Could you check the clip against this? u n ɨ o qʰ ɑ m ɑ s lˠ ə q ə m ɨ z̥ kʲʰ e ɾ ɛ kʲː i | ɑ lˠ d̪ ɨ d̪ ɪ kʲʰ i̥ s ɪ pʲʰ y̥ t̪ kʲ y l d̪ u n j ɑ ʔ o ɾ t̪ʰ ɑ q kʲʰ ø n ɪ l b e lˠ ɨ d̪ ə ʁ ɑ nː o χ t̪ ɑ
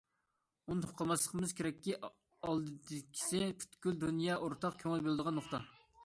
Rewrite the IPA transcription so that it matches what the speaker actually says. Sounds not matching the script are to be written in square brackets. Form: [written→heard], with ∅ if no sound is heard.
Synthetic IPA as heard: u n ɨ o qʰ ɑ m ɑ s lˠ ə q ə m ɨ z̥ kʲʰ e ɾ ɛ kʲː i | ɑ lˠ d̪ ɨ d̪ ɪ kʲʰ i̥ s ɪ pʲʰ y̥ t̪ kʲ y l d̪ u n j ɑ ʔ o ɾ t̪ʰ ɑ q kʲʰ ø [n→ŋ] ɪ l b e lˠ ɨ d̪ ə ʁ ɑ nː o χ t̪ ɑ